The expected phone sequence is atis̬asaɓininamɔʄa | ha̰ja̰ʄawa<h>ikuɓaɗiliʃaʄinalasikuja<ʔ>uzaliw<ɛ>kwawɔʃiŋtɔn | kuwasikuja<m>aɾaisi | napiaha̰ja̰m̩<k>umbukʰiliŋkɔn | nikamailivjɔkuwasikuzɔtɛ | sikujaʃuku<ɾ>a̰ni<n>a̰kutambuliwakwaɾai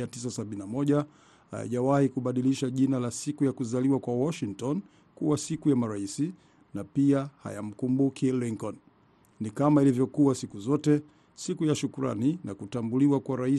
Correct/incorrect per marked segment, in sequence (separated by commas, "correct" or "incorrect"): correct, incorrect, incorrect, correct, correct, correct, correct